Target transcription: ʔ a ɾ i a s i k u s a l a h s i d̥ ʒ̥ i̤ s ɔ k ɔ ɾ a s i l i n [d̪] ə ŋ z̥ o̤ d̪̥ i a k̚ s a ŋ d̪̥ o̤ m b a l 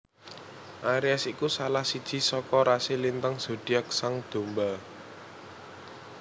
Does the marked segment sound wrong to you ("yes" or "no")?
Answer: yes